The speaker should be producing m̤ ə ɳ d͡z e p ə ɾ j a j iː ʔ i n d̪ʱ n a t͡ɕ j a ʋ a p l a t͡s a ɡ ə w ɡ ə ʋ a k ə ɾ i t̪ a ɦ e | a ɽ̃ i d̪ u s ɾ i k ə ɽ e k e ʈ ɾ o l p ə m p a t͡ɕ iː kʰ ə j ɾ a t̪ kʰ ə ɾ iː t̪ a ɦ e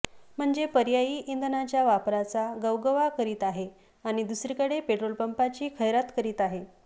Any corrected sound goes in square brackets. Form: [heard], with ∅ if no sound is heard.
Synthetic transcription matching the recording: m̤ ə ɳ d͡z e p ə ɾ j a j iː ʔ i n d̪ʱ n a t͡ɕ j a ʋ a p [ɾ] a t͡s a ɡ ə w ɡ ə ʋ a k ə ɾ [iː] t̪ a ɦ e | a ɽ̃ i d̪ u s ɾ i k ə ɽ e [p] e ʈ ɾ o l p ə m p a t͡ɕ iː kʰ ə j ɾ a t̪ [k] ə ɾ iː t̪ a ɦ e